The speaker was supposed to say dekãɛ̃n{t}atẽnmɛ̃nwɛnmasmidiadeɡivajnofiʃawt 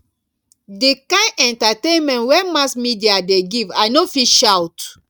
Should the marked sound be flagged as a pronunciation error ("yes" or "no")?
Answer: no